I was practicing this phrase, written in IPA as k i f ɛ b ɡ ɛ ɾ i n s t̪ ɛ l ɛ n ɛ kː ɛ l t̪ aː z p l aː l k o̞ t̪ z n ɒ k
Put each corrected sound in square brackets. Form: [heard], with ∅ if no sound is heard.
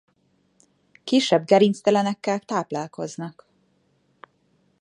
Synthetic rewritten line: k i [ʃ] ɛ b ɡ ɛ ɾ i n s t̪ ɛ l ɛ n ɛ kː ɛ l t̪ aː [∅] p l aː l k o̞ [∅] z n ɒ k